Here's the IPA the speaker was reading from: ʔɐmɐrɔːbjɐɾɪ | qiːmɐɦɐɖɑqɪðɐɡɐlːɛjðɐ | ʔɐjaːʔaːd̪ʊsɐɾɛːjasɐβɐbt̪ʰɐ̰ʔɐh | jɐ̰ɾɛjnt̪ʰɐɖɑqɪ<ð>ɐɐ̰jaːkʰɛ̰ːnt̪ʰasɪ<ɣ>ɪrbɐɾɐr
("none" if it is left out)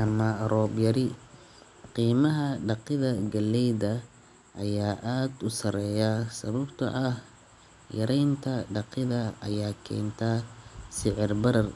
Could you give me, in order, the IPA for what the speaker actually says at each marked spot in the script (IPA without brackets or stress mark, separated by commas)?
ð, ʕ